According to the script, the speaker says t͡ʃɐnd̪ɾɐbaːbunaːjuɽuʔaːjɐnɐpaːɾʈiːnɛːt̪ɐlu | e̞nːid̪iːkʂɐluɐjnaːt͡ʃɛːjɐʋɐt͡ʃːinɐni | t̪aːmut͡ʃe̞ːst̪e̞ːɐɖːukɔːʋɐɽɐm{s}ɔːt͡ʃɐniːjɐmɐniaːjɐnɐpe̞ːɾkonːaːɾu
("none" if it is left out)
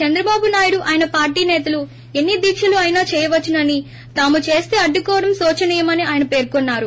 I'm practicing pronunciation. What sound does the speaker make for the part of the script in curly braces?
s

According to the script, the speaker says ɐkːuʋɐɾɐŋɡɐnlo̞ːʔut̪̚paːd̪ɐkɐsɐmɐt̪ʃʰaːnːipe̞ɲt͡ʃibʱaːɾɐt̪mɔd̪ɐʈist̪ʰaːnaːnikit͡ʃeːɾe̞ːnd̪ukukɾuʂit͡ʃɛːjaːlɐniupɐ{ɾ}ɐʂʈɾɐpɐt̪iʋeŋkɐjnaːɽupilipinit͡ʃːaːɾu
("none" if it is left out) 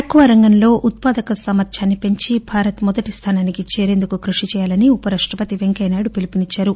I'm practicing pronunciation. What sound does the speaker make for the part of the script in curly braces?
ɾ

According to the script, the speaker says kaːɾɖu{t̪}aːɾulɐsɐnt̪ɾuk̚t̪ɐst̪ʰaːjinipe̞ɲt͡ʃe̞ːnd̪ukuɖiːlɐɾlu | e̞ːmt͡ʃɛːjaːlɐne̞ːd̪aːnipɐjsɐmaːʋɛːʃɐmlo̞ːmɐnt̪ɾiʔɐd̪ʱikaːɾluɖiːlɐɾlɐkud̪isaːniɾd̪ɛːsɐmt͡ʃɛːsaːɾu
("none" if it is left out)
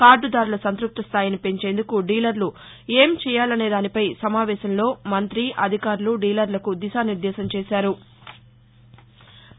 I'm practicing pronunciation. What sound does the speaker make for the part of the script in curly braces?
d̪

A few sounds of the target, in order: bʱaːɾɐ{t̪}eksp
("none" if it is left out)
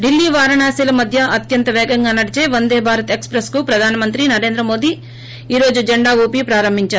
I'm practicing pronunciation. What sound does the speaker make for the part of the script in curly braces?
t̪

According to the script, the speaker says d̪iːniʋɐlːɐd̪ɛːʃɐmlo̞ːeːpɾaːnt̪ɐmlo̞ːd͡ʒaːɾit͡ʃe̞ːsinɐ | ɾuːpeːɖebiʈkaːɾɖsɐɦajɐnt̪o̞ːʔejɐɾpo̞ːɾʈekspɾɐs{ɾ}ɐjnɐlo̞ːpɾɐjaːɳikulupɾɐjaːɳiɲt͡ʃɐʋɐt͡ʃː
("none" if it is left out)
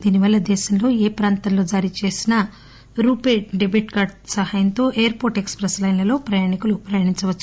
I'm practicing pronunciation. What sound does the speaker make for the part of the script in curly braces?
l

